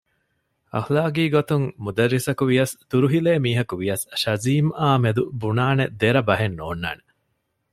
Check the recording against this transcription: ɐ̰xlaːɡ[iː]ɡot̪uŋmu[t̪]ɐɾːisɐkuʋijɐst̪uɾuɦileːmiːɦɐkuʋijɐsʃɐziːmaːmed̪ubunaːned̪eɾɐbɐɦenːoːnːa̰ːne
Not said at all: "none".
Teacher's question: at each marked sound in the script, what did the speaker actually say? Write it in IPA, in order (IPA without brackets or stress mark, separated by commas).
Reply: iː, d̪